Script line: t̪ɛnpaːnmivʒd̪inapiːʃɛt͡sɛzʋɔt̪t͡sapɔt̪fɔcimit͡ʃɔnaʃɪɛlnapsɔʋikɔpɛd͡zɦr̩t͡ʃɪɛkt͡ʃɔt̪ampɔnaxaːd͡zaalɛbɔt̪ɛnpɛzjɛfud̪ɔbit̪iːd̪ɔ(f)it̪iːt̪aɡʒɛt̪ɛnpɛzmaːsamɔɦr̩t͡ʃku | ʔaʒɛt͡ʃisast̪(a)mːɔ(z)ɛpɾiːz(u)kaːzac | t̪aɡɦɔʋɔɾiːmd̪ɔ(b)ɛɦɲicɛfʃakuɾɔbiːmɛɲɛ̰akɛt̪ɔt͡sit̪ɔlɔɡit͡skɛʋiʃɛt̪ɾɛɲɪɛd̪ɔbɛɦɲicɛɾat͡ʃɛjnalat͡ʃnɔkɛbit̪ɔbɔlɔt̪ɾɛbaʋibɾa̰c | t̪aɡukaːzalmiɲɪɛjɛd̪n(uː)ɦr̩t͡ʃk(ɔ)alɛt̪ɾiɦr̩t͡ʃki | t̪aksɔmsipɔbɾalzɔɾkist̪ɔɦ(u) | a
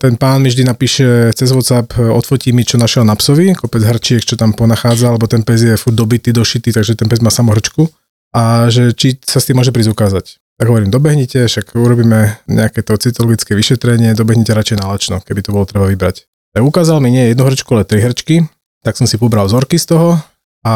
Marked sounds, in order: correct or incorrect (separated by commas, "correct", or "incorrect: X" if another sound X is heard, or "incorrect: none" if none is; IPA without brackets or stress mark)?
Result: incorrect: ʃ, incorrect: i, incorrect: ʒ, correct, correct, incorrect: u, incorrect: u, incorrect: ɔ